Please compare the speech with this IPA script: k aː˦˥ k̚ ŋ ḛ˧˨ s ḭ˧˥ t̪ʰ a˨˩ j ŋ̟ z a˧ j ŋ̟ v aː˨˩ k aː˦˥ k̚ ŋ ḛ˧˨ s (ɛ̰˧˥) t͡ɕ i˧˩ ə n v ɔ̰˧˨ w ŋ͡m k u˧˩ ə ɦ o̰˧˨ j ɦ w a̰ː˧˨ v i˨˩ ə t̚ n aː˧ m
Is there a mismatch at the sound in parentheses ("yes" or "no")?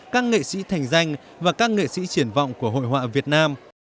yes